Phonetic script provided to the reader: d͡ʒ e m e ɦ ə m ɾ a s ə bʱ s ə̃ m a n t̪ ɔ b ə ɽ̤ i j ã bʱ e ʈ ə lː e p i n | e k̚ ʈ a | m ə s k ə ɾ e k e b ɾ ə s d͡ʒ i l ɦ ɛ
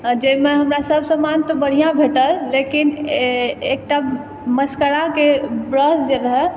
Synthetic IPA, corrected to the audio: d͡ʒ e m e ɦ ə m ɾ a s ə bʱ s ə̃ m a n t̪ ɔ b ə ɽ̤ i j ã bʱ e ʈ ə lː e k i n | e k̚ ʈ a | m ə s k ə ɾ a k e b ɾ ə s d͡ʒ e l ɦ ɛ